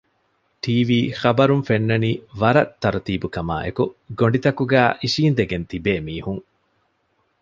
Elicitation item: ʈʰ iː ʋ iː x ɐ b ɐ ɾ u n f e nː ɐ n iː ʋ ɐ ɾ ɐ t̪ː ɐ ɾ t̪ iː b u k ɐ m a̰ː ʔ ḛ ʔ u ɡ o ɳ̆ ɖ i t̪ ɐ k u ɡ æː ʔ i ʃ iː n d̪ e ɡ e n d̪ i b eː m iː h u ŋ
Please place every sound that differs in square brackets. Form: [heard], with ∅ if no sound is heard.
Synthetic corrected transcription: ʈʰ iː ʋ iː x ɐ b ɐ ɾ u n f e nː ɐ n iː ʋ ɐ ɾ ɐ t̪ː ɐ ɾ t̪ iː b u k ɐ m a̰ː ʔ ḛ [k] u ɡ o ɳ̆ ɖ i t̪ ɐ k u ɡ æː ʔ i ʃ iː n d̪ e ɡ e n [t̪] i b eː m iː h u ŋ